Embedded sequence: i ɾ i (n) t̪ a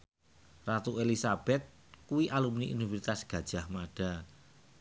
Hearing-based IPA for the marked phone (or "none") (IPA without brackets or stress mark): none